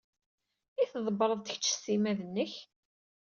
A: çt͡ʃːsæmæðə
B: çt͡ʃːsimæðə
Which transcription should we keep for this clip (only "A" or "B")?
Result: B